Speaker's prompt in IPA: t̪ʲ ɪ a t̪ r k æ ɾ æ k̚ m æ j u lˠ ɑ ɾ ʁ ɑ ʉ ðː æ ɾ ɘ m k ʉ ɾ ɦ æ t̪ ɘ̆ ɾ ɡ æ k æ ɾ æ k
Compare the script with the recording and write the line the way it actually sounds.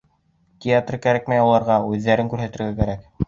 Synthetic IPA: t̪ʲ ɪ a t̪ r k æ ɾ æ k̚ m æ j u lˠ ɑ ɾ ʁ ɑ ʉ ðː æ ɾ ɘ ŋ k ʉ ɾ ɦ æ t̪ ɘ̆ ɾ ɡ æ k æ ɾ æ k